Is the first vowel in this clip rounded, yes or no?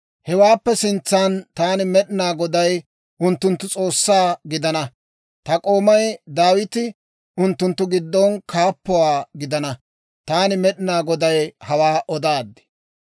no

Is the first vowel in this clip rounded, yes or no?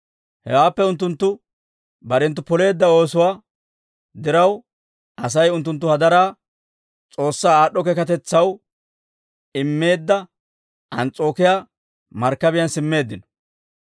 no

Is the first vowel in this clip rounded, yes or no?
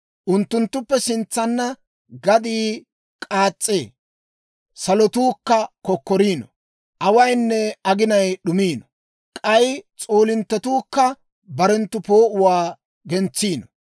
yes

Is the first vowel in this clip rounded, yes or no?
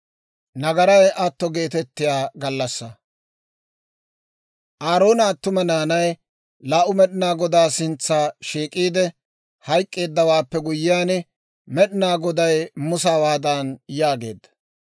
no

